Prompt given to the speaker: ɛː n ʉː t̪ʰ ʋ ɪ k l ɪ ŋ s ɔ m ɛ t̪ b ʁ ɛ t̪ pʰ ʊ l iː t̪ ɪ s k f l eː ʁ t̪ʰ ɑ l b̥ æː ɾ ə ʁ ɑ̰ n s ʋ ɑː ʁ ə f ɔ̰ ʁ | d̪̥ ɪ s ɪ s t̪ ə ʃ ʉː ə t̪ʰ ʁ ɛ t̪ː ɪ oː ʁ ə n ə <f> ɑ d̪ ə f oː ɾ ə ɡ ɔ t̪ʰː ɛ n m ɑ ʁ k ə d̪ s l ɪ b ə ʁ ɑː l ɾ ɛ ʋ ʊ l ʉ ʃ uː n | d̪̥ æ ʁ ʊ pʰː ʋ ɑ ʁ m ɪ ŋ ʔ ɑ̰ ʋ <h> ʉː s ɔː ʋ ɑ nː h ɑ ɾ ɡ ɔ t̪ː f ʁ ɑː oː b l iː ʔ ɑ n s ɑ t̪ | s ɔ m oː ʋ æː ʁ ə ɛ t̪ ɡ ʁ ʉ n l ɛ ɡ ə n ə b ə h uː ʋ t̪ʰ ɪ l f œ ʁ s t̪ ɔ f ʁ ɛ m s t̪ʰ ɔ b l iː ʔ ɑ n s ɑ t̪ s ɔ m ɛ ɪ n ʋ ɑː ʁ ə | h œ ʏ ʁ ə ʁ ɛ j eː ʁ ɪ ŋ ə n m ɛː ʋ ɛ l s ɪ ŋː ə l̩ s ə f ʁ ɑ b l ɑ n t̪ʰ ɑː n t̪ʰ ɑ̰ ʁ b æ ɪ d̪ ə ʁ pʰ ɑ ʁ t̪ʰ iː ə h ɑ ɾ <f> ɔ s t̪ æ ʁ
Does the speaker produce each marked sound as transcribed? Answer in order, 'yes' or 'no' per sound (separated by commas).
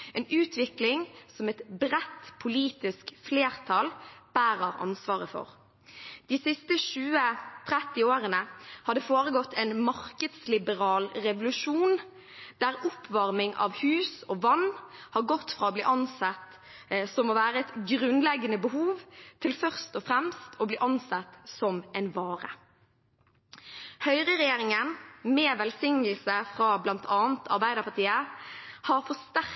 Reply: no, yes, yes